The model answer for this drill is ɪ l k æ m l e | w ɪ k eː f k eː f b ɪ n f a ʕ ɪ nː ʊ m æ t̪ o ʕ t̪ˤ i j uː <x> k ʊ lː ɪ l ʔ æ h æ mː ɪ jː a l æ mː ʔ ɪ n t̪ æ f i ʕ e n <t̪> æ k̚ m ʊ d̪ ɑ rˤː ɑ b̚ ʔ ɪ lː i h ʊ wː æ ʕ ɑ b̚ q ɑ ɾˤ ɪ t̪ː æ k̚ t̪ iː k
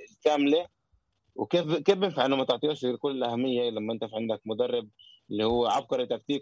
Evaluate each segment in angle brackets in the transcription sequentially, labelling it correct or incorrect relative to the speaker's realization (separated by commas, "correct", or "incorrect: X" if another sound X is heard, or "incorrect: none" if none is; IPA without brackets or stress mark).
incorrect: ʃ, incorrect: d̪